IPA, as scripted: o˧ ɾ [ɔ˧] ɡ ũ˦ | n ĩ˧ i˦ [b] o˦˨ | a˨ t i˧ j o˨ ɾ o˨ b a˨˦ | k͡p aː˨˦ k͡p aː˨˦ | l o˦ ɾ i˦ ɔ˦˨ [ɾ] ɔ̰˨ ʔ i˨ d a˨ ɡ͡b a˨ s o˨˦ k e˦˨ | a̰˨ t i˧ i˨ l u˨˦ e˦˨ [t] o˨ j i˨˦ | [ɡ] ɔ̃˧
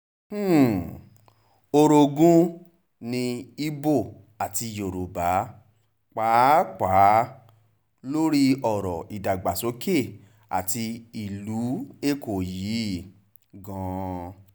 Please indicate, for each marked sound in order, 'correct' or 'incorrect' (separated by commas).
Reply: incorrect, correct, correct, incorrect, correct